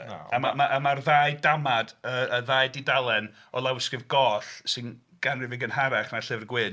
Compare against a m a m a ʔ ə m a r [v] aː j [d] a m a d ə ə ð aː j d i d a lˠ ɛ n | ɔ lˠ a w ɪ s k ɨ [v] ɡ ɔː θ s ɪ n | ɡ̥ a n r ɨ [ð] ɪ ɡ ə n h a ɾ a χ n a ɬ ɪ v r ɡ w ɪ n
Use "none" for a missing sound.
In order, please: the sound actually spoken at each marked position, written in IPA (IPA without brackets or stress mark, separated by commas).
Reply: ð, d, v, v